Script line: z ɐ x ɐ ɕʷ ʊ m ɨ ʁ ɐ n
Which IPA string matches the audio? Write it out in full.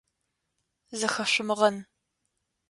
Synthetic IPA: z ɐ x ɐ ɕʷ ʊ m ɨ ʁ ɐ n